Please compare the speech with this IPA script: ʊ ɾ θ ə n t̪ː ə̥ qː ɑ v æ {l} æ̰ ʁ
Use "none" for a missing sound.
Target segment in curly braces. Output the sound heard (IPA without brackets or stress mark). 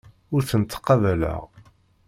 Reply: l